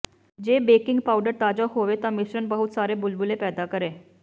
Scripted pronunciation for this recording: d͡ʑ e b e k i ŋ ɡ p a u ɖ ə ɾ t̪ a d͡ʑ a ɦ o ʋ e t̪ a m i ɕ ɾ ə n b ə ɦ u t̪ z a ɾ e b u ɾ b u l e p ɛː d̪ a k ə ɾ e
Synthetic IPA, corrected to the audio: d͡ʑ e b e k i ŋ ɡ p a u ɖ ə ɾ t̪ a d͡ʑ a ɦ o ʋ e t̪ a m i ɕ ɾ ə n b ə ɦ u t̪ s a ɾ e b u l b u l e p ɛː d̪ a k ə ɾ e